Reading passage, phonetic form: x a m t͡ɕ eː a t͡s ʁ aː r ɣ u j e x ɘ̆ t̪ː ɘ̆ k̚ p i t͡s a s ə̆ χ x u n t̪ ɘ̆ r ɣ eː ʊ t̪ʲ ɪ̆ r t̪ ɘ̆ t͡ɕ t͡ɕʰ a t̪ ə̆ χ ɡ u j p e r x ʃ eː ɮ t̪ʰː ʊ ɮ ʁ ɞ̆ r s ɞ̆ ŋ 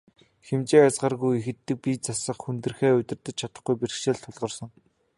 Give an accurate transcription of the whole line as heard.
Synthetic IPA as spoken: x e m t͡ɕ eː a t͡s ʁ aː r ɣ u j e x ɘ̆ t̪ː ɘ̆ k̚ p i t͡s a s ə̆ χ x u n t̪ ɘ̆ r x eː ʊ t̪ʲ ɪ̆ r t̪ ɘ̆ t͡ɕ t͡ɕʰ a t̪ ə̆ χ ɡ u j p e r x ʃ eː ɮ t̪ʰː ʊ ɮ ʁ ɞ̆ r s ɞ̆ ŋ